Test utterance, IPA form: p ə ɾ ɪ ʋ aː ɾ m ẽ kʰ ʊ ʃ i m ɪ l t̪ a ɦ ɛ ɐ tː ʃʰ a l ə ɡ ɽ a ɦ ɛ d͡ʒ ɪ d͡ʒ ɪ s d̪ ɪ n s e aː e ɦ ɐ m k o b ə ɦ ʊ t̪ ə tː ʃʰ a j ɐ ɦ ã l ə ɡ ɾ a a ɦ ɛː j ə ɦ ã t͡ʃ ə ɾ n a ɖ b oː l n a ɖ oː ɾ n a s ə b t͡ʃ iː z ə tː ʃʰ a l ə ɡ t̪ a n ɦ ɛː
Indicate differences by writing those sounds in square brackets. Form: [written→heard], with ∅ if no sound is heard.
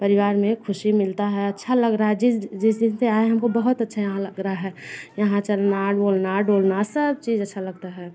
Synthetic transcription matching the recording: p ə ɾ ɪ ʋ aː ɾ m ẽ kʰ ʊ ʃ i m ɪ l t̪ a ɦ ɛ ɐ tː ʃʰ a l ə ɡ [ɽ→ɾ] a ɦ ɛ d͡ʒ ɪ d͡ʒ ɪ s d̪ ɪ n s e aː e ɦ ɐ m k o b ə ɦ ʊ t̪ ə tː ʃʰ a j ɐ ɦ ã l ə ɡ ɾ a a ɦ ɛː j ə ɦ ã t͡ʃ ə [ɾ→l] n a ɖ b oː l n a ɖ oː [ɾ→l] n a s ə b t͡ʃ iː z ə tː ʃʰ a l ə ɡ t̪ a [n→∅] ɦ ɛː